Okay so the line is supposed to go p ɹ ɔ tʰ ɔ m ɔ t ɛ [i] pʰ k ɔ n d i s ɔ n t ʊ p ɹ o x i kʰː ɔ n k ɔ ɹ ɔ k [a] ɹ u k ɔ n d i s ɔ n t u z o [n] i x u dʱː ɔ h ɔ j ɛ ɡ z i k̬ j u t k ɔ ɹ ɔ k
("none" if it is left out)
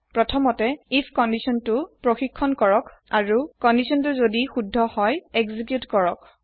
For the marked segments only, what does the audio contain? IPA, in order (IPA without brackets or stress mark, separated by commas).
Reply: i, a, d